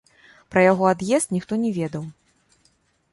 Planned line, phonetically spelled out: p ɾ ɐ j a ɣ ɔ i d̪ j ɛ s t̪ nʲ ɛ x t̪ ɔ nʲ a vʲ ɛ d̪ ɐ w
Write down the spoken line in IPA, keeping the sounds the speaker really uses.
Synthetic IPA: p ɾ ɐ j a ɣ ɔ a d̪ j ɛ s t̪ nʲ i x t̪ ɔ nʲ ɛ vʲ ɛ d̪ ɐ w